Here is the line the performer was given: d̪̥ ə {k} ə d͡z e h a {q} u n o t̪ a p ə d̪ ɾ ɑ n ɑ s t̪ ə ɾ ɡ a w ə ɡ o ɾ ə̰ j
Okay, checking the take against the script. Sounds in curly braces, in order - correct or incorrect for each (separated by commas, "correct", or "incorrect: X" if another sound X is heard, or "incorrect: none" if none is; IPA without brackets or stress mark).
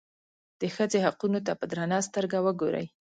incorrect: x, correct